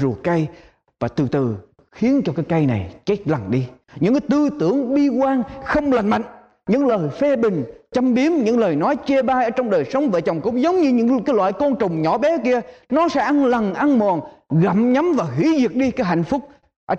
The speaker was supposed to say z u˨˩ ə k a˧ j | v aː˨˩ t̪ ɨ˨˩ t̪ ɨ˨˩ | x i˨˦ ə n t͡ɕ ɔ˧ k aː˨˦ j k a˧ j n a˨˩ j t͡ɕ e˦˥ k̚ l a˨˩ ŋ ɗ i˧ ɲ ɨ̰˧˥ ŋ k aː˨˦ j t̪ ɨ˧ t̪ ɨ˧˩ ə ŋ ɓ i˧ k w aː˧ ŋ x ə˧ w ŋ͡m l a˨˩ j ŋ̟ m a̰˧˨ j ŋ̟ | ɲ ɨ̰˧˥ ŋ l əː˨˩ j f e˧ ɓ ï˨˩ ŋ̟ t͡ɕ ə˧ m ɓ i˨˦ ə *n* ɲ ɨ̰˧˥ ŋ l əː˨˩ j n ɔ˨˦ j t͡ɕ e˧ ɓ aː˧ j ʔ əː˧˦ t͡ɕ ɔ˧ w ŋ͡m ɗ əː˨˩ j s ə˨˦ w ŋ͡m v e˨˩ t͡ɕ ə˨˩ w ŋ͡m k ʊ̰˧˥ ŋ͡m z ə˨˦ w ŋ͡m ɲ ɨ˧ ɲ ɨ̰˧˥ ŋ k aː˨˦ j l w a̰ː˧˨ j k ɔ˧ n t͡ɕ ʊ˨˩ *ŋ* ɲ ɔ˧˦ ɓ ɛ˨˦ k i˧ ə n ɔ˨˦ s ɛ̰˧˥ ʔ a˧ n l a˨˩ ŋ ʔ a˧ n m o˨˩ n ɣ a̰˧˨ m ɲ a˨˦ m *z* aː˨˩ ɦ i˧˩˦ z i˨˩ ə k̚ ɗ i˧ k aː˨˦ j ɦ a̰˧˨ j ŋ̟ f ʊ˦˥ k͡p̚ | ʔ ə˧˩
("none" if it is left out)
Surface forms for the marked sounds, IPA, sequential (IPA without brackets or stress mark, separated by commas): m, ŋ͡m, v